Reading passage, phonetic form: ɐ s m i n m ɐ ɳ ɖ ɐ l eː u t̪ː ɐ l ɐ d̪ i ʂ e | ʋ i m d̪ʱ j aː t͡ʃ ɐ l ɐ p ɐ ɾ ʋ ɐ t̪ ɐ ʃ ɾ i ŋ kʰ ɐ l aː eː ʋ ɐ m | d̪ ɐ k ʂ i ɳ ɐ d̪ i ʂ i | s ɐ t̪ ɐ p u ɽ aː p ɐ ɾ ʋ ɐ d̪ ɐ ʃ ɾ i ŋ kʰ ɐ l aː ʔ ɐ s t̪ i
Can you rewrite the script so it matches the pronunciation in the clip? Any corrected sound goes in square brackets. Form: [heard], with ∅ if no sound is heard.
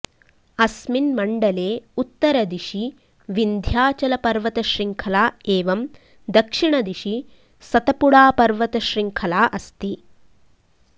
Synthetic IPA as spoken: ɐ s m i n m ɐ ɳ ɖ ɐ l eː u t̪ː ɐ [ɾ] ɐ d̪ i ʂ [i] | ʋ i [n] d̪ʱ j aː t͡ʃ ɐ l ɐ p ɐ ɾ ʋ ɐ t̪ ɐ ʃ ɾ i ŋ kʰ ɐ l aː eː ʋ ɐ m | d̪ ɐ k ʂ i ɳ ɐ d̪ i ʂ i | s ɐ t̪ ɐ p u ɽ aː p ɐ ɾ ʋ ɐ [t̪] ɐ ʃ ɾ i ŋ kʰ ɐ l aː ʔ ɐ s t̪ i

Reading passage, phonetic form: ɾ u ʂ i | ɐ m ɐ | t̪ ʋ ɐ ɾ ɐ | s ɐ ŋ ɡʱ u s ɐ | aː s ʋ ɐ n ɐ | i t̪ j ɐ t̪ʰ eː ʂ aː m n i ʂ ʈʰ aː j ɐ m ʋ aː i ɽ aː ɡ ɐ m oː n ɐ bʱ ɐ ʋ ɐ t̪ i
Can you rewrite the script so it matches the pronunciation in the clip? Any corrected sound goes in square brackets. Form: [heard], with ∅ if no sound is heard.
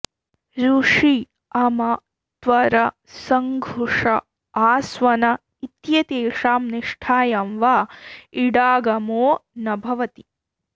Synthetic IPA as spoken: ɾ u ʂ i | ɐ m ɐ | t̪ ʋ ɐ ɾ ɐ | s ɐ ŋ ɡʱ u [ʂ] ɐ | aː s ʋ ɐ n ɐ | i t̪ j ɐ [t̪] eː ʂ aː m n i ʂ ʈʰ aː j ɐ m ʋ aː i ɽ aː ɡ ɐ m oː n ɐ bʱ ɐ ʋ ɐ t̪ i

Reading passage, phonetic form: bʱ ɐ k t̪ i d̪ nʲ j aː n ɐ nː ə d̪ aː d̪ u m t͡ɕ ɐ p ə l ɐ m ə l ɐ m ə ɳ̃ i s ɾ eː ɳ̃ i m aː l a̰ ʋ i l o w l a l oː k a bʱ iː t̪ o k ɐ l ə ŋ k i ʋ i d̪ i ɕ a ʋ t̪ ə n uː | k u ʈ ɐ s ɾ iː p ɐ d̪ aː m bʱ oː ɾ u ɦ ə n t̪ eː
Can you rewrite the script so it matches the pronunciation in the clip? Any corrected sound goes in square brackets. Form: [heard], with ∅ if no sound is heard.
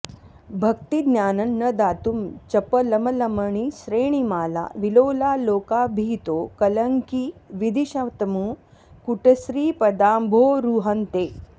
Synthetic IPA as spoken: bʱ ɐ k t̪ i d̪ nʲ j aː n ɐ nː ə d̪ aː [t̪] u m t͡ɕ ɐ p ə l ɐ m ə l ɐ m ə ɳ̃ i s ɾ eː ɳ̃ i m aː l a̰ ʋ i l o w l a l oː k a bʱ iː t̪ o k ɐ l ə ŋ k i ʋ i d̪ i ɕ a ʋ t̪ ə [m] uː | k u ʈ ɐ s ɾ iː p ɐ d̪ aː m bʱ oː ɾ u ɦ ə n t̪ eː

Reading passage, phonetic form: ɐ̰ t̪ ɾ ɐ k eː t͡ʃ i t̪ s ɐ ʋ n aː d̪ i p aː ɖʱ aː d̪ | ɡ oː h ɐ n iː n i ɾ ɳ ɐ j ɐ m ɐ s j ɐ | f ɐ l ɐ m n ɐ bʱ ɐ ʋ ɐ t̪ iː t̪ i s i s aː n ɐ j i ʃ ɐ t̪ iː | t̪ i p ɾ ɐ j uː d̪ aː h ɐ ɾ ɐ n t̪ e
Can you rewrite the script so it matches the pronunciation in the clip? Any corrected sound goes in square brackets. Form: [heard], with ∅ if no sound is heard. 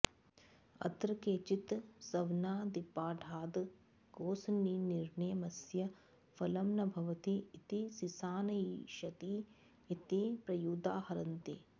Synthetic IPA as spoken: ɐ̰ t̪ ɾ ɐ k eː t͡ʃ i t̪ s ɐ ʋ n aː d̪ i p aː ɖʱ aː d̪ | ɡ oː [s] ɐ n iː n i ɾ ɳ ɐ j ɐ m ɐ s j ɐ | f ɐ l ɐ m n ɐ bʱ ɐ ʋ ɐ t̪ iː t̪ i s i s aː n ɐ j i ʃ ɐ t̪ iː | t̪ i p ɾ ɐ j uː d̪ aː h ɐ ɾ ɐ n t̪ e

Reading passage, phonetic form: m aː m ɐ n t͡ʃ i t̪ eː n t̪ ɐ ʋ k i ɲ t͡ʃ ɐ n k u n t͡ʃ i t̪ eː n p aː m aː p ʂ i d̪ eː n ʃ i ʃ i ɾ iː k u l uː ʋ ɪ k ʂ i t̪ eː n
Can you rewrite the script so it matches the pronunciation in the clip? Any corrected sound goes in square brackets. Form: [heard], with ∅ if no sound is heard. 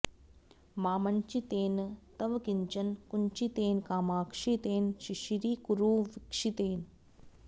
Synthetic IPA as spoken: m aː m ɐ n t͡ʃ i t̪ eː n t̪ ɐ ʋ k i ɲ t͡ʃ ɐ n k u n t͡ʃ i t̪ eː n [k] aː m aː [k] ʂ i [t̪] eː n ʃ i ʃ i ɾ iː k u [ɾ] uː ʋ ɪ k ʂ i t̪ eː n

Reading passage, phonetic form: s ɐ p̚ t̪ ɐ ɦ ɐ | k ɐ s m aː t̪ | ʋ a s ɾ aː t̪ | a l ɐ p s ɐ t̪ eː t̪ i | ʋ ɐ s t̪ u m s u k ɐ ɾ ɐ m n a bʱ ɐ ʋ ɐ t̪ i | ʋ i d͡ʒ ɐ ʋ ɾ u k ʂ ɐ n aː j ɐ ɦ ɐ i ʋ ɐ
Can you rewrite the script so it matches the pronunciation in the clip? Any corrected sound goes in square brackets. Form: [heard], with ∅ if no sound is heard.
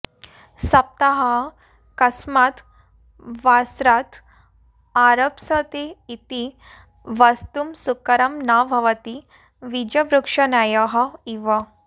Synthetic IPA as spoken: s ɐ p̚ t̪ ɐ ɦ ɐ | k ɐ s m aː t̪ | ʋ a s ɾ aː t̪ | a [ɾ] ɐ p s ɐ t̪ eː t̪ i | ʋ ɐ s t̪ u m s u k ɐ ɾ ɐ m n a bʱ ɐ ʋ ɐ t̪ i | ʋ i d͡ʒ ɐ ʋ ɾ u k ʂ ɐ n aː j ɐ ɦ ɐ i ʋ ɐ

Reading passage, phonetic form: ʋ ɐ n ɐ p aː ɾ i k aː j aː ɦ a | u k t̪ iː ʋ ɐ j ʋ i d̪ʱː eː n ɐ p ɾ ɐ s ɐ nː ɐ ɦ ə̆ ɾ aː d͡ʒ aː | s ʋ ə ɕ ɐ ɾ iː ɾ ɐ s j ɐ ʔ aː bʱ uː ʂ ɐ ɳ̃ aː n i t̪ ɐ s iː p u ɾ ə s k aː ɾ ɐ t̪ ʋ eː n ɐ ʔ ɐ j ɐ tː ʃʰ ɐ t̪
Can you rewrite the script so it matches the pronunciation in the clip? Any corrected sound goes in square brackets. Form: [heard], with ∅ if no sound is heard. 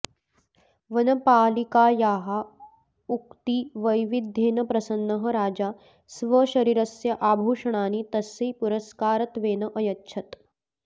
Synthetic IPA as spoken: ʋ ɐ n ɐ p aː [l] i k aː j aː ɦ a | u k t̪ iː ʋ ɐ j ʋ i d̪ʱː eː n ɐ p ɾ ɐ s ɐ nː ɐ ɦ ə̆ ɾ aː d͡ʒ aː | s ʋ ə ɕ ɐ ɾ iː ɾ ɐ s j ɐ ʔ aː bʱ uː ʂ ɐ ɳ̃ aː n i t̪ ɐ s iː p u ɾ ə s k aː ɾ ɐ t̪ ʋ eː n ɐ ʔ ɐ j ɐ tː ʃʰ ɐ t̪

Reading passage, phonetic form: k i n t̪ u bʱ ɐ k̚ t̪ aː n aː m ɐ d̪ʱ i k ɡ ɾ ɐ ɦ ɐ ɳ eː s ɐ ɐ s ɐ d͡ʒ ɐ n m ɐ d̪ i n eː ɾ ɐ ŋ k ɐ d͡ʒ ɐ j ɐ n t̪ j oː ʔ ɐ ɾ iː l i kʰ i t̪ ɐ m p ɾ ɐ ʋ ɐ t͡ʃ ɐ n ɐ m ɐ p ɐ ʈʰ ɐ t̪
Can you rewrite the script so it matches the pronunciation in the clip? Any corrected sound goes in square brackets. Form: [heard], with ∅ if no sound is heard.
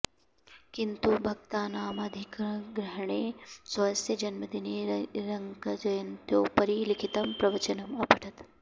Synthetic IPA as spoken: k i n t̪ u bʱ ɐ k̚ t̪ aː n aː m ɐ d̪ʱ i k ɡ ɾ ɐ ɦ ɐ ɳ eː s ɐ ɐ s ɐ d͡ʒ ɐ n m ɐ d̪ i n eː ɾ ɐ ŋ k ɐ d͡ʒ ɐ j ɐ n t̪ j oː [p] ɐ ɾ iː l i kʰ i t̪ ɐ m p ɾ ɐ ʋ ɐ t͡ʃ ɐ n ɐ m ɐ p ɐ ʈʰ ɐ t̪

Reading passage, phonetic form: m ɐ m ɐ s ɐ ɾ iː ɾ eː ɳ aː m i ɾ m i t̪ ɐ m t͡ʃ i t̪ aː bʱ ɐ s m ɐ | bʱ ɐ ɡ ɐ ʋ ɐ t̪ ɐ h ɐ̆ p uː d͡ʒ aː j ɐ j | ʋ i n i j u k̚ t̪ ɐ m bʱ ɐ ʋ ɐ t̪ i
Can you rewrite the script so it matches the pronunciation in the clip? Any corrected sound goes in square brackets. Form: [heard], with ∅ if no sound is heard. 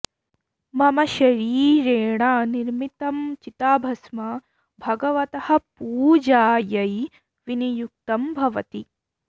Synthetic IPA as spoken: m ɐ m ɐ [ʃ] ɐ ɾ iː ɾ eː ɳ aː [n] i ɾ m i t̪ ɐ m t͡ʃ i t̪ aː bʱ ɐ s m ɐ | bʱ ɐ ɡ ɐ ʋ ɐ t̪ ɐ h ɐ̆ p uː d͡ʒ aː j ɐ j | ʋ i n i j u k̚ t̪ ɐ m bʱ ɐ ʋ ɐ t̪ i

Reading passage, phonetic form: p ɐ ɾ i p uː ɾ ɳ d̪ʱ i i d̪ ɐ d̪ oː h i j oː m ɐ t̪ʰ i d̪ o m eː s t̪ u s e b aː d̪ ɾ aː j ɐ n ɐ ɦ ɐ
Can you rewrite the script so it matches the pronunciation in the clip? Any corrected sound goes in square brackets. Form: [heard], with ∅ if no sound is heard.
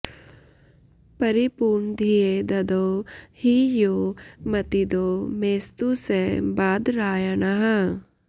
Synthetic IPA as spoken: p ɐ ɾ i p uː ɾ ɳ d̪ʱ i [e] d̪ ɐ d̪ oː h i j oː m ɐ [t̪] i d̪ o m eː s t̪ u s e b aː d̪ ɾ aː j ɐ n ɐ ɦ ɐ

